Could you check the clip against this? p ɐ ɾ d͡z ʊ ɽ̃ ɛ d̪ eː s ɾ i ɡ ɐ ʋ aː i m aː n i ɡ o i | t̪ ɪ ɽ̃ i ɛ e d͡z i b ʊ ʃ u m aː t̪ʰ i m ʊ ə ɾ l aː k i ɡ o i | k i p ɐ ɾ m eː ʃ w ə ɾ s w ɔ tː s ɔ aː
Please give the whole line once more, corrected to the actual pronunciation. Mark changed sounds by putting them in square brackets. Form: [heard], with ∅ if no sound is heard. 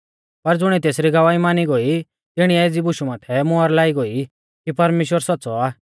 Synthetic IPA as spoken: p ɐ ɾ d͡z ʊ ɽ̃ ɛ [t̪] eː s ɾ i ɡ ɐ ʋ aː i m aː n i ɡ o i | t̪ ɪ ɽ̃ i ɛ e d͡z i b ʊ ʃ u m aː t̪ʰ [ɛ] m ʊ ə ɾ l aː [∅] i ɡ o i | k i p ɐ ɾ m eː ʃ w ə ɾ s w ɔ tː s ɔ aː